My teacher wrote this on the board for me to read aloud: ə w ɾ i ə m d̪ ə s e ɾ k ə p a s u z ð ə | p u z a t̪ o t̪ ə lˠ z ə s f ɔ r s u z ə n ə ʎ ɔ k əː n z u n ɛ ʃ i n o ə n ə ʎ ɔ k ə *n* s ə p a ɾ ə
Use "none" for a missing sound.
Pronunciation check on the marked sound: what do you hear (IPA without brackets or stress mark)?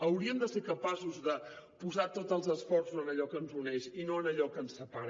n